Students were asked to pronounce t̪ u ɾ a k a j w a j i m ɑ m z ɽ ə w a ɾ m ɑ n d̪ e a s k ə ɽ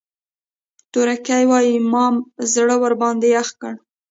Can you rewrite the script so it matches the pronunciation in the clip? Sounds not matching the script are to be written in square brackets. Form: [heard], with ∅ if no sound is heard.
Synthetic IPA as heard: t̪ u ɾ a k a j w [ɑ] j i m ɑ m z ɽ ə w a ɾ [b] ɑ n d̪ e a [x] k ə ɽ